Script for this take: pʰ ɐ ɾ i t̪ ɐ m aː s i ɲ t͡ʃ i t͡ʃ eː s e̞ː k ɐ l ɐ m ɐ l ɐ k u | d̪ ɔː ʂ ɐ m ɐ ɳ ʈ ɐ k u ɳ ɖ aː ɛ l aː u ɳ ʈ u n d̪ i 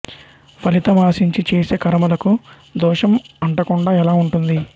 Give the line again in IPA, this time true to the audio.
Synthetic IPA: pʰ ɐ l i t̪ ɐ m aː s i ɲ t͡ʃ i t͡ʃ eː s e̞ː k ɐ ɾ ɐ m ɐ l ɐ k u | d̪ ɔː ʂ ɐ m ɐ ɳ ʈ ɐ k u ɳ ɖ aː ɛ l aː u ɳ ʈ u n d̪ i